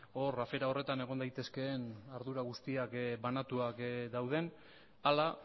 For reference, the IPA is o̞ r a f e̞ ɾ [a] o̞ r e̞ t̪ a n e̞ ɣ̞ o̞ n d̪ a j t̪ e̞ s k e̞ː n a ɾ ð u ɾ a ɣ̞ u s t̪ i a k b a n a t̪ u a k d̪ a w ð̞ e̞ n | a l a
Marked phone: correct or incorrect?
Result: correct